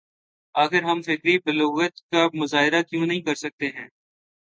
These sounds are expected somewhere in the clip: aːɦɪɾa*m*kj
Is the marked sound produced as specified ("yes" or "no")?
no